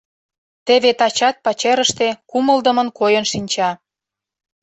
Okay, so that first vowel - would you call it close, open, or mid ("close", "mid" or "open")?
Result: mid